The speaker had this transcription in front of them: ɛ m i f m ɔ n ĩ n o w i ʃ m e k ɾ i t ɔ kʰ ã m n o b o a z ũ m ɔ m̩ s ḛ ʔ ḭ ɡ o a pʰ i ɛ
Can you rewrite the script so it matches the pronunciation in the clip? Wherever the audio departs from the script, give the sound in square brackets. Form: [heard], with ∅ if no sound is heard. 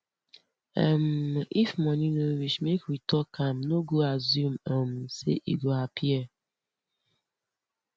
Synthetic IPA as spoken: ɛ m i f m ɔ n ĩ n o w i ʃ m e k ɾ i t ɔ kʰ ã m n o [ɡ] o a z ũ m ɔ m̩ s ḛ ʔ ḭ ɡ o a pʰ i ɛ

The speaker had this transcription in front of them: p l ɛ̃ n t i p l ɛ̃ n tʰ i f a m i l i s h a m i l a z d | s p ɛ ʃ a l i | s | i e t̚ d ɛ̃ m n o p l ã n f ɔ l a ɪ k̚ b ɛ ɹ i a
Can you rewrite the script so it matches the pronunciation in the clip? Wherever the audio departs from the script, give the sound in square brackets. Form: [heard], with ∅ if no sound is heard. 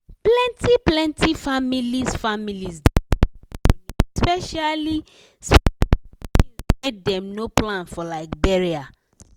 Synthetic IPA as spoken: p l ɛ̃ n t i p l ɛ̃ n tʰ i f a m i l i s [f] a m i l [i] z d | s p ɛ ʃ a l i | s | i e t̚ d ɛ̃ m n o p l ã n f ɔ l a ɪ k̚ b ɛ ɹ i a

